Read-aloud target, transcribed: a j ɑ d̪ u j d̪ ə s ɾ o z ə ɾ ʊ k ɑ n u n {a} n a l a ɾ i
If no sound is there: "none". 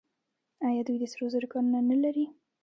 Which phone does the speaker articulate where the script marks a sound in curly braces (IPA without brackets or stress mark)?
a